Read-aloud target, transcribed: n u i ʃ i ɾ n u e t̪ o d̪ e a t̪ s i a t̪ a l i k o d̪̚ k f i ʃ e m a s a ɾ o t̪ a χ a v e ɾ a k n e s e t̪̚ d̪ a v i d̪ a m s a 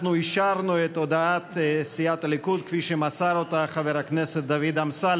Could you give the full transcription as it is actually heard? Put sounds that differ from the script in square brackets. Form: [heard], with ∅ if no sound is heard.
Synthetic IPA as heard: n u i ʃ [a] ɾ n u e t̪ o d̪ [a] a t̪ s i a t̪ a l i k [u] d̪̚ k f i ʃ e m a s a ɾ o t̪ a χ a v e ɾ a k n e s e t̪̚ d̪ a v i d̪ a m s a